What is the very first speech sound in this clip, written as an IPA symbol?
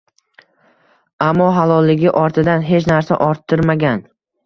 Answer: a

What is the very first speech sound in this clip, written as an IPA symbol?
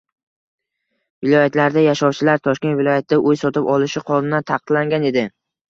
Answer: v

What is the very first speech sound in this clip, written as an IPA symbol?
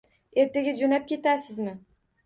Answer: e̞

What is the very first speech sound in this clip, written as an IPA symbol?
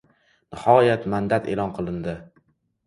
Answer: n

